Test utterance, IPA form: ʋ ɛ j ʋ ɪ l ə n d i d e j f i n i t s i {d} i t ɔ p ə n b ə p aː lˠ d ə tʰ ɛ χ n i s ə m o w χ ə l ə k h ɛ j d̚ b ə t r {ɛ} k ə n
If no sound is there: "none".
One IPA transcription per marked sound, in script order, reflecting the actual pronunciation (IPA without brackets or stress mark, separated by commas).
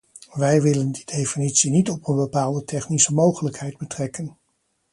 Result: n, ɛ